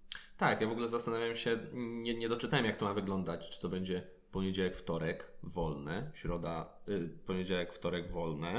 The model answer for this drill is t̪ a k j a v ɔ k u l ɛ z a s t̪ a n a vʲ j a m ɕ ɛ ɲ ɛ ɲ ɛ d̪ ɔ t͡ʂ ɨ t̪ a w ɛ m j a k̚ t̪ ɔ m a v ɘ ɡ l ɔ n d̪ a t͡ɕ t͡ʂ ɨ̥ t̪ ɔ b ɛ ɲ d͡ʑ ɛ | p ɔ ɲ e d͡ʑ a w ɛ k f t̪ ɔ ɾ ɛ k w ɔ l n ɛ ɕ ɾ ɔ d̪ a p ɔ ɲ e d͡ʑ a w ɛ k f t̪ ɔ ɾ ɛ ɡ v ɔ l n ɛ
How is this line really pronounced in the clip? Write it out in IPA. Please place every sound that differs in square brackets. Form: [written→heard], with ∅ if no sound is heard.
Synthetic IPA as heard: t̪ a k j a v ɔ [k→ɡ] u l ɛ z a s t̪ a n a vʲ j a m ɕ ɛ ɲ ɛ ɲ ɛ d̪ ɔ t͡ʂ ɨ t̪ a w ɛ m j a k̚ t̪ ɔ m a v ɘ ɡ l ɔ n d̪ a t͡ɕ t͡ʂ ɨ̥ t̪ ɔ b ɛ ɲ d͡ʑ ɛ | p ɔ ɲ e d͡ʑ a w ɛ k f t̪ ɔ ɾ ɛ k [w→v] ɔ l n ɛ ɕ ɾ ɔ d̪ a p ɔ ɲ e d͡ʑ a w ɛ k f t̪ ɔ ɾ ɛ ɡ v ɔ l n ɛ